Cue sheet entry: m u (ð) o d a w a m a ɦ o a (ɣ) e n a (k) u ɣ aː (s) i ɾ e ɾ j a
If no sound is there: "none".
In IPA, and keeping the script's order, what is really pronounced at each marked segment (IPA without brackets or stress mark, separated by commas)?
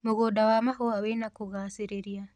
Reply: ɣ, w, k, s